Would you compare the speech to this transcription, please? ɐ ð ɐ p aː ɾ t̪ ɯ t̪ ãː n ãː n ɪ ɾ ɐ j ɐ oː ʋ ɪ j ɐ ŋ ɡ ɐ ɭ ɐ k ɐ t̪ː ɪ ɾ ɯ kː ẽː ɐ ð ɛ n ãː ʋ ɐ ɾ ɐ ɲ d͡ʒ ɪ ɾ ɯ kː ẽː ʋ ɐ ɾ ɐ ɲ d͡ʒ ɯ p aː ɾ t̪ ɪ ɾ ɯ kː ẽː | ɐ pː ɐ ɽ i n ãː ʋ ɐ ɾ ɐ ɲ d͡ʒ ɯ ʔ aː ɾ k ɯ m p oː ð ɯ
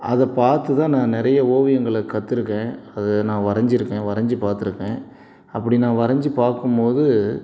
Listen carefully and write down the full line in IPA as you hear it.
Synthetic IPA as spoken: ɐ ð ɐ p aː ɾ t̪ ɯ t̪ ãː n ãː n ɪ ɾ ɐ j ɐ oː ʋ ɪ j ɐ ŋ ɡ ɐ ɭ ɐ k ɐ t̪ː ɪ ɾ ɯ kː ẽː ɐ ð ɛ n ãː ʋ ɐ ɾ ɐ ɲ d͡ʒ ɪ ɾ ɯ kː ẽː ʋ ɐ ɾ ɐ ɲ d͡ʒ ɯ p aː ɾ t̪ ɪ ɾ ɯ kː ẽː | ɐ pː ɐ ɽ i n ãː ʋ ɐ ɾ ɐ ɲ d͡ʒ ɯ p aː ɾ k ɯ m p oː ð ɯ

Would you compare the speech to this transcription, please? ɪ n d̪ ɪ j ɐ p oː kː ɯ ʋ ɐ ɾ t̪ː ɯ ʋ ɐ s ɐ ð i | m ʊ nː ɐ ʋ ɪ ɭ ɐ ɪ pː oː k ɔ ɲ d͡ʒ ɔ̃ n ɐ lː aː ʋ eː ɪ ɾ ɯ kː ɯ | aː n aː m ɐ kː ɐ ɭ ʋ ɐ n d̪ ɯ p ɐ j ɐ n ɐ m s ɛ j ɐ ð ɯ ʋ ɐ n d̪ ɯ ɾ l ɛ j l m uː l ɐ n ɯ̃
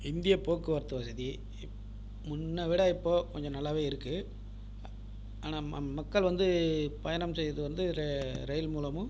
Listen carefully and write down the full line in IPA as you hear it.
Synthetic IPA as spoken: ɪ n d̪ ɪ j ɐ p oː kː ɯ ʋ ɐ ɾ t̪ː ɯ ʋ ɐ s ɐ ð i | m ʊ nː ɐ ʋ ɪ ɽ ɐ ɪ pː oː k ɔ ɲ d͡ʒ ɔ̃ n ɐ lː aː ʋ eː ɪ ɾ ɯ kː ɯ | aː n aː m ɐ kː ɐ ɭ ʋ ɐ n d̪ ɯ p ɐ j ɐ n ɐ m s ɛ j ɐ ð ɯ ʋ ɐ n d̪ ɯ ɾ ɾ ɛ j l m uː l ɐ m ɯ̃

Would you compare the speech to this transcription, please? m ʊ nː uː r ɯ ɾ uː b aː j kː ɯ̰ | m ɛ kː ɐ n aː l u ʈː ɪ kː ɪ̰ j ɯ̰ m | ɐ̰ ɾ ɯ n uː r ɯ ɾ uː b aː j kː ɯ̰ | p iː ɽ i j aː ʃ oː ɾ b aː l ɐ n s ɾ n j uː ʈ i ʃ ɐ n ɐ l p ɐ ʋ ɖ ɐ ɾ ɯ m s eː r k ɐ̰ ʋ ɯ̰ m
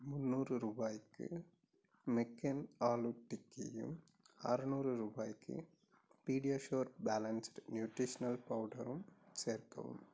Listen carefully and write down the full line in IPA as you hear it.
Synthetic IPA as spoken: m ʊ nː uː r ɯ ɾ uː b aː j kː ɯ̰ | m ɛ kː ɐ n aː l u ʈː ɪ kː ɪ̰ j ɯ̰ m | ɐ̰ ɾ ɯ n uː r ɯ ɾ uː b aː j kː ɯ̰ | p iː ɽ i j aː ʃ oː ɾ b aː l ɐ n s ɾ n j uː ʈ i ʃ ɐ n ɐ l p ɐ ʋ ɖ ɐ ɾ ɯ m s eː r k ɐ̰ ʋ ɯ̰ m

